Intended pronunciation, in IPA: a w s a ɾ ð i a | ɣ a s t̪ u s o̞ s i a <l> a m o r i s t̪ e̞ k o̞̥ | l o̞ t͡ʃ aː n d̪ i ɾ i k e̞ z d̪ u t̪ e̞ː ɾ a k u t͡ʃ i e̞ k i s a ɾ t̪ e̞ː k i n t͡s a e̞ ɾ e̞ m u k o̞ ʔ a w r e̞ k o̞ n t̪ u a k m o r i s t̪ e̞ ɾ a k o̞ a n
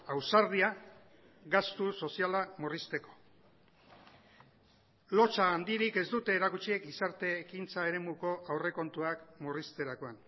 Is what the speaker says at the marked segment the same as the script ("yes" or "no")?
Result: yes